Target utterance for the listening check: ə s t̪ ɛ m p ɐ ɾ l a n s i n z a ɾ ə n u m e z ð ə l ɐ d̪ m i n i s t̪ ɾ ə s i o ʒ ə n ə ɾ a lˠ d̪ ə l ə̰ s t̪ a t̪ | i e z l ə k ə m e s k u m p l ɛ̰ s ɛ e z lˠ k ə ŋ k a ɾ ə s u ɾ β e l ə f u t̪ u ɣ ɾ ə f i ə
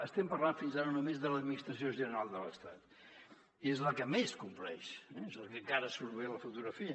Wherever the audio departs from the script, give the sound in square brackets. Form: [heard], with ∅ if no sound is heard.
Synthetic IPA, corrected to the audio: ə s t̪ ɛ m p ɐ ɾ l a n [f] i n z a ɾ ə n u m e z ð ə l [ə] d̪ m i n i s t̪ ɾ ə s i o ʒ ə n ə ɾ a lˠ d̪ ə l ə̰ s t̪ a t̪ | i e z l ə k ə m e s k u m p l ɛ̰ [ʃ] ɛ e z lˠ k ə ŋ k a ɾ ə s u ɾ β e l ə f u t̪ u ɣ ɾ ə f i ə